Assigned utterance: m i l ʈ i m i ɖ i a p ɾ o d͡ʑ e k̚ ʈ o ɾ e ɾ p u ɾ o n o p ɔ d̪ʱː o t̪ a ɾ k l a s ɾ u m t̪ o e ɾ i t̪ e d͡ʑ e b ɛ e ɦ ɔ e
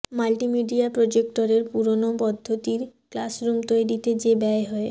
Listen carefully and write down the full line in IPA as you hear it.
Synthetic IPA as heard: m a l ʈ i m i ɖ i a p ɾ o d͡ʑ e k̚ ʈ o ɾ e ɾ p u ɾ o n o p ɔ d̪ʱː o t̪ i ɾ k l a s ɾ u m t̪ o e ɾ i t̪ e d͡ʑ e b ɛ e ɦ ɔ e